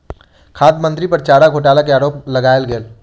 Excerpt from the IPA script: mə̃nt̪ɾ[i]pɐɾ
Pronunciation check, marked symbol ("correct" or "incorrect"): correct